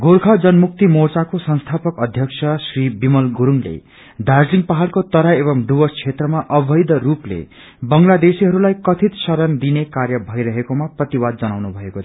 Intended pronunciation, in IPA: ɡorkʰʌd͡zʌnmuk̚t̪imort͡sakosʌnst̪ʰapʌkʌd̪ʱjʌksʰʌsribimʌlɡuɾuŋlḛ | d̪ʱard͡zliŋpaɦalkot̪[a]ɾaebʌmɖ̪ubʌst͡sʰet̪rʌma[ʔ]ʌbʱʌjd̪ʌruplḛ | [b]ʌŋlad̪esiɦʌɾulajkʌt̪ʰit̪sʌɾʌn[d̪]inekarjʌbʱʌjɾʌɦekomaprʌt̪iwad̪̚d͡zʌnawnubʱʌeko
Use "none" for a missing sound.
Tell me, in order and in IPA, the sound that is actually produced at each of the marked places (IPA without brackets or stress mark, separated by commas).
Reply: ʌ, ʔ, b, d̪